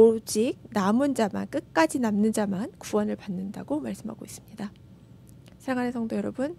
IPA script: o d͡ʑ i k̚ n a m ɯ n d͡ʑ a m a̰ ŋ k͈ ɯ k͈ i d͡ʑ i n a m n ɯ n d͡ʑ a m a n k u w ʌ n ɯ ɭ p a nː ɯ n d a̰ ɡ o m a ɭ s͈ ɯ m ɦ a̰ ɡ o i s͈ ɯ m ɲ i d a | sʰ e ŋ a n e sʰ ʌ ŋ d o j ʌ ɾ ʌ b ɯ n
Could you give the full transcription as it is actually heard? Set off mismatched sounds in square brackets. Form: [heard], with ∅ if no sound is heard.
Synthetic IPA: o d͡ʑ i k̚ n a m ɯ n d͡ʑ a m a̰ [n] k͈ ɯ k͈ [a] d͡ʑ i n a m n ɯ n d͡ʑ a m a n k u w ʌ n ɯ ɭ p a nː ɯ n d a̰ ɡ o m a ɭ s͈ ɯ m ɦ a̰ ɡ o i s͈ ɯ m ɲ i d a | sʰ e ŋ a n e sʰ ʌ ŋ d o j ʌ ɾ ʌ b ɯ n